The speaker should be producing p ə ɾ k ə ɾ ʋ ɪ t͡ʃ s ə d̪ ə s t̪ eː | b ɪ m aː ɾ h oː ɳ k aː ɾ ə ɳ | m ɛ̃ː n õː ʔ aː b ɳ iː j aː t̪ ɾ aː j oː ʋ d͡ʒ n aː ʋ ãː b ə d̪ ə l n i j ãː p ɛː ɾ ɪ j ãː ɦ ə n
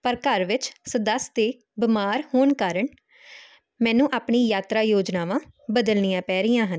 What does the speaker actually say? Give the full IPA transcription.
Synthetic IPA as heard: p ə ɾ k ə ɾ ʋ ɪ t͡ʃ s ə d̪ ə s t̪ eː | b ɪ m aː ɾ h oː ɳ k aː ɾ ə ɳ | m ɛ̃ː n ũː ʔ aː p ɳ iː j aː t̪ ɾ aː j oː d͡ʒ n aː ʋ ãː b ə d̪ ə l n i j ãː p ɛː ɾ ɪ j ãː ɦ ə n